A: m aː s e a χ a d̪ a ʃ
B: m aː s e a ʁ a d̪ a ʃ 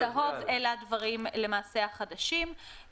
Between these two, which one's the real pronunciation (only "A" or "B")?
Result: A